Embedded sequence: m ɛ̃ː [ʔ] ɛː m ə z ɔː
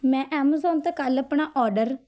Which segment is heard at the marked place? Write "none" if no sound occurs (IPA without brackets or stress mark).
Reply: ʔ